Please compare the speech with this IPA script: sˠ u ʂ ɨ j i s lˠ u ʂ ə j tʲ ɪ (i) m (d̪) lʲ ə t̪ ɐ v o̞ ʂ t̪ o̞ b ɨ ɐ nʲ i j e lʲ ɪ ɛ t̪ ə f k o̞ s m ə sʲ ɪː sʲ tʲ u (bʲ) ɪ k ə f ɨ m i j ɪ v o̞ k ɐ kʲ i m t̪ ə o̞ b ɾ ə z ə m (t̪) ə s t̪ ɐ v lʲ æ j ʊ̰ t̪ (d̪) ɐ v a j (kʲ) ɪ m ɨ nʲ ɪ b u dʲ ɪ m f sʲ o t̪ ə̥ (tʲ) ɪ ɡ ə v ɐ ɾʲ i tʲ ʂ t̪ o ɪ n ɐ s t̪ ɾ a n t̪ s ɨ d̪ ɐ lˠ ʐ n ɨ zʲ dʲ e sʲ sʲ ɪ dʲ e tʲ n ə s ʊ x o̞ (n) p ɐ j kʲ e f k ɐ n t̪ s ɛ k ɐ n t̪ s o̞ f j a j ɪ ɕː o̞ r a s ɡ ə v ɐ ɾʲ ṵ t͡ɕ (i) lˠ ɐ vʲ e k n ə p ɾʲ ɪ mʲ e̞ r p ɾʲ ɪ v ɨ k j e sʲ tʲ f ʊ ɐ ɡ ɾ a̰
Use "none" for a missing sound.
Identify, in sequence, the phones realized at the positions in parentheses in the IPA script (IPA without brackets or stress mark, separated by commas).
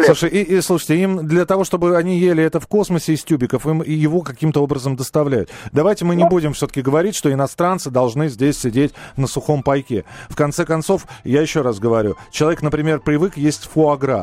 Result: i, d̪, bʲ, d̪, d̪, tʲ, kʲ, m, ɪ